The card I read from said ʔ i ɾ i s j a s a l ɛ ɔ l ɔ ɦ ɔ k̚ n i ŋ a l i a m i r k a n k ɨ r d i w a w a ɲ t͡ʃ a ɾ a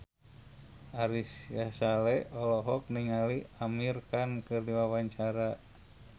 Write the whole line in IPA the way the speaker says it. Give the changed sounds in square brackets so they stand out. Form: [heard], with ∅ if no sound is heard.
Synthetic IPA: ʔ [a] ɾ i s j a s a l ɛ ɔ l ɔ ɦ ɔ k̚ n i ŋ a l i a m i r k a n k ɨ r d i w a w a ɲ t͡ʃ a ɾ a